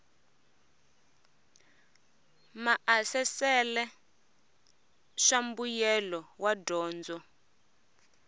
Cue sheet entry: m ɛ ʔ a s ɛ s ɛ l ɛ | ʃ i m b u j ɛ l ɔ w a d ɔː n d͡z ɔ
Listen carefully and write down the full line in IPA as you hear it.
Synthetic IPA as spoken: m a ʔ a s ɛ s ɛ l ɛ | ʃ a m b u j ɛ l ɔ w a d ɔː n d͡z ɔ